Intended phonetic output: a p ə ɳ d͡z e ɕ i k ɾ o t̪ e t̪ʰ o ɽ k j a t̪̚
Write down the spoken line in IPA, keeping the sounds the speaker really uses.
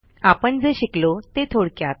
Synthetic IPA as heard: a p ə ɳ d͡z e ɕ i k l o t̪ e t̪ʰ o ɽ k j a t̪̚